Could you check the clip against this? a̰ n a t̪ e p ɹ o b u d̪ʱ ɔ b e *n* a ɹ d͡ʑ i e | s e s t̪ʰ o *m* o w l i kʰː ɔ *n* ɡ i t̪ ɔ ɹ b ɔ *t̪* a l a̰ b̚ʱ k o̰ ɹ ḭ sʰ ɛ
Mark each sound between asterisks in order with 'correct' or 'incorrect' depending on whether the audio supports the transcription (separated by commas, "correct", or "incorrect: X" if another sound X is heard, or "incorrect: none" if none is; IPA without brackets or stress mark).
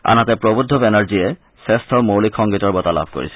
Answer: correct, correct, incorrect: ŋ, correct